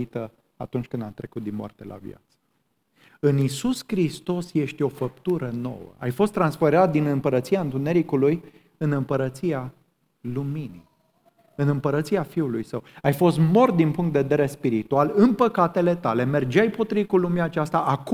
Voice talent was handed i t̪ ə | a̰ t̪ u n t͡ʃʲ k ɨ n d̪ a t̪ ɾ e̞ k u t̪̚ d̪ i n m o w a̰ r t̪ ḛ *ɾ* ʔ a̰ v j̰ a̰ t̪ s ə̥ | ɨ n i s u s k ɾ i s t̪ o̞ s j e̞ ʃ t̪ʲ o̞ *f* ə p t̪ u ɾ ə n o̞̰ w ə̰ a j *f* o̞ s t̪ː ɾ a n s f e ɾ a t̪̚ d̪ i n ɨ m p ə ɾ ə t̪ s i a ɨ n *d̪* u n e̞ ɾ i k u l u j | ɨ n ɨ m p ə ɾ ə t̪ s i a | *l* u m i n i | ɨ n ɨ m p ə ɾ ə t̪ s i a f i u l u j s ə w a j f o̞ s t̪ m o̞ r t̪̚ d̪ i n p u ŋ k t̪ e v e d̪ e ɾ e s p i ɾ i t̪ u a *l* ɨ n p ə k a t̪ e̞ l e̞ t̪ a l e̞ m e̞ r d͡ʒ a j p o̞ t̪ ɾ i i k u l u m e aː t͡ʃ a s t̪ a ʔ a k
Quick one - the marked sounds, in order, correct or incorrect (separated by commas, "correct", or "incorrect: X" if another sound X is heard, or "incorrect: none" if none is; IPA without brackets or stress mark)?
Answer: incorrect: l, correct, correct, incorrect: t̪, correct, correct